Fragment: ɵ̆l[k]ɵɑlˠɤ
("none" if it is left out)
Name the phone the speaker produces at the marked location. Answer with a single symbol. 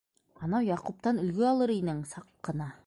ɡ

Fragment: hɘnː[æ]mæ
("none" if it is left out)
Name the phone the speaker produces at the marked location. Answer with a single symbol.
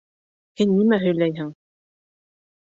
i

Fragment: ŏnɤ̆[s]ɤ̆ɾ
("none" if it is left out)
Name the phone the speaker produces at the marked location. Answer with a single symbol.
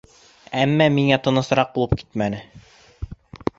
s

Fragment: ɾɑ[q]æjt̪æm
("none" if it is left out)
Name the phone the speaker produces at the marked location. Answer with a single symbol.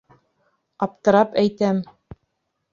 p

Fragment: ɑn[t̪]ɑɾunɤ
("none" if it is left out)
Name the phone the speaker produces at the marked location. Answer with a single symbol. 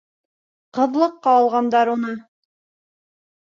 d̪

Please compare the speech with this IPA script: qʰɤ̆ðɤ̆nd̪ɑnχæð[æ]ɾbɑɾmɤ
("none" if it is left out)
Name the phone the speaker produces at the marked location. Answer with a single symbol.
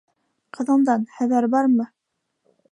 æ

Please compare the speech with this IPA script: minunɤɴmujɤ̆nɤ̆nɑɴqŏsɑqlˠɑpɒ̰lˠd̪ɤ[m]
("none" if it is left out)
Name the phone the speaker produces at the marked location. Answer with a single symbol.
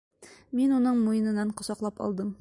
m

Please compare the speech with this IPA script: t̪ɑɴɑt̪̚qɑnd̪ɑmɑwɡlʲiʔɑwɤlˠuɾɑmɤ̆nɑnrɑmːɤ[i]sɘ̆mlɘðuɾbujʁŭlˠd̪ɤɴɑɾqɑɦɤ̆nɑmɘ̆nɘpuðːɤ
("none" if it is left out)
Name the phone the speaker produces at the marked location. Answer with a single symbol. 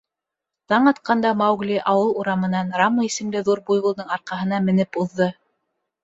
i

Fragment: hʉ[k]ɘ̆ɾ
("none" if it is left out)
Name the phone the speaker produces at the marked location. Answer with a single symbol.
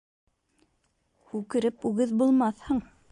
k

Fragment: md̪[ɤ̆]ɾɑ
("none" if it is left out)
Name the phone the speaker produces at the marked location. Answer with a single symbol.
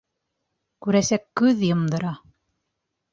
ɤ̆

